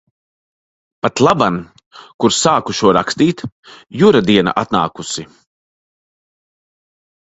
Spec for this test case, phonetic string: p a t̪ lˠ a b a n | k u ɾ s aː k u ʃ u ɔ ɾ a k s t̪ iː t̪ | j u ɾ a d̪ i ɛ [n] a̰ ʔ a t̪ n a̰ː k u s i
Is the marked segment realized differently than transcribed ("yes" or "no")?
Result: no